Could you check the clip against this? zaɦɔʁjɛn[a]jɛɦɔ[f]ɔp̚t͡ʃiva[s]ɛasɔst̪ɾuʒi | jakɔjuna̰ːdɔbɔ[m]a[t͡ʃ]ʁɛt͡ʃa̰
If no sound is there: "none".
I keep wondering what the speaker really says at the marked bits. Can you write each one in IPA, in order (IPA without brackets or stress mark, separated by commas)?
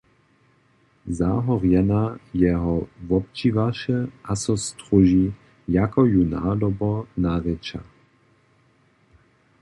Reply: a, v, ʃ, n, none